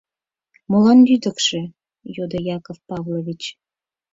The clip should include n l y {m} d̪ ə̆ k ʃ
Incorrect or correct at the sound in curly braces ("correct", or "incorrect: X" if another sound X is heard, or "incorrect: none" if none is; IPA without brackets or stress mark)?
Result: incorrect: none